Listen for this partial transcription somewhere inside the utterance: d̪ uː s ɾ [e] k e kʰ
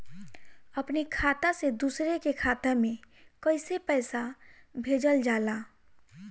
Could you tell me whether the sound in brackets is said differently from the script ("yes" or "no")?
no